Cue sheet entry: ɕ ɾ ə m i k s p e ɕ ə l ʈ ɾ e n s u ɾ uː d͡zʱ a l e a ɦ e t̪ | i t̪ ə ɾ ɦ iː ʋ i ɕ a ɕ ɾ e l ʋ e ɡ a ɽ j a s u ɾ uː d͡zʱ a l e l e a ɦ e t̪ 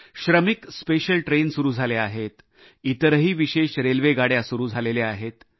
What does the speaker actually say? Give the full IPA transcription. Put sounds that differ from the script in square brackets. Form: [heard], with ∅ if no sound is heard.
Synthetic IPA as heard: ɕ ɾ ə m i k s p e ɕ ə l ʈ ɾ e n s u ɾ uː d͡zʱ a l e a ɦ e t̪ | i t̪ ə ɾ ɦ iː ʋ i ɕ [e] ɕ ɾ e l ʋ e ɡ a ɽ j a s u ɾ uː d͡zʱ a l e l e a ɦ e t̪